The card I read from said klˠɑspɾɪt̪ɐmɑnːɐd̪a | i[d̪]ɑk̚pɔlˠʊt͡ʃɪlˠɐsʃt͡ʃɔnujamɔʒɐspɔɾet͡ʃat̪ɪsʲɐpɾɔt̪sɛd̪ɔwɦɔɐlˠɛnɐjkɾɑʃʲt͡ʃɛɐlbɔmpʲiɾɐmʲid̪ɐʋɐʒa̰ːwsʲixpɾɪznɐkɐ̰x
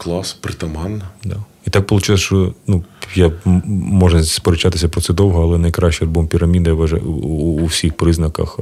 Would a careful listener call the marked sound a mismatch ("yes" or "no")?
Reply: yes